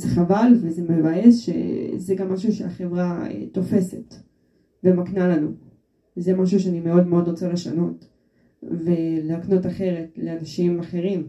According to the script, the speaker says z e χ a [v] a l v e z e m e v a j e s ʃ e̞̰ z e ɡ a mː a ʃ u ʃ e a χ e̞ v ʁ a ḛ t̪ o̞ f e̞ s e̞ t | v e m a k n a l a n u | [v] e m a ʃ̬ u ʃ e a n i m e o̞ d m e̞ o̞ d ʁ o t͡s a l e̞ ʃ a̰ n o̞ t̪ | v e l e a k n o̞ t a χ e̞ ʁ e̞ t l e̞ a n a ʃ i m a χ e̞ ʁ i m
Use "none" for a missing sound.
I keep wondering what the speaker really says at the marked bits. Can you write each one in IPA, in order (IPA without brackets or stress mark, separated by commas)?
v, z